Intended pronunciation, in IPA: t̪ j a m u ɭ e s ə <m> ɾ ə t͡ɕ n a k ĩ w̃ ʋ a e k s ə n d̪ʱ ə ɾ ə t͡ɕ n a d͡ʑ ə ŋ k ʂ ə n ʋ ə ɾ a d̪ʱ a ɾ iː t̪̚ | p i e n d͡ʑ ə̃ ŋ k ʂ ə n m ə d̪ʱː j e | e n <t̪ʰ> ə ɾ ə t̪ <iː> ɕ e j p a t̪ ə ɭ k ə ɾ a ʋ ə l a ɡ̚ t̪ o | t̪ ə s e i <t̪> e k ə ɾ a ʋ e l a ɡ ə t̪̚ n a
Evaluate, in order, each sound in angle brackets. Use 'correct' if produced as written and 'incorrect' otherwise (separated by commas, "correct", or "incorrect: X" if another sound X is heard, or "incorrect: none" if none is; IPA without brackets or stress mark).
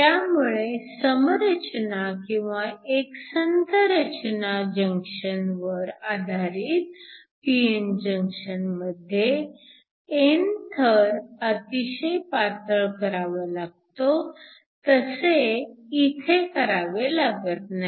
correct, correct, incorrect: i, incorrect: t̪ʰ